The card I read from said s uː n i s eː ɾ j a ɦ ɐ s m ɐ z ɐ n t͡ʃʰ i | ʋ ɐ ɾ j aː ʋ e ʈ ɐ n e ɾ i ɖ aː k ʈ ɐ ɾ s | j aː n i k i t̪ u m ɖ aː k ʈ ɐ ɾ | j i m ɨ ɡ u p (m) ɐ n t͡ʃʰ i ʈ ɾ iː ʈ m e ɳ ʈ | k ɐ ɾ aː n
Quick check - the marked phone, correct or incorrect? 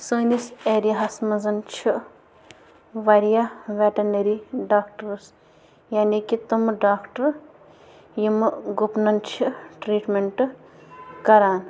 incorrect